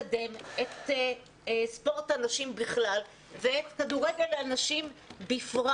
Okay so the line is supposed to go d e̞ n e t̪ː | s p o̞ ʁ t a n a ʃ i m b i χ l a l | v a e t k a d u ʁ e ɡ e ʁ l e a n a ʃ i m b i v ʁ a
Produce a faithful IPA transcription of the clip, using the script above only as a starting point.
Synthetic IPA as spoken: d e̞ m e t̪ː | s p o̞ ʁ t a n a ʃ i m b i χ l a l | v e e t k a d u ʁ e ɡ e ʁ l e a n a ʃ i m b i f ʁ a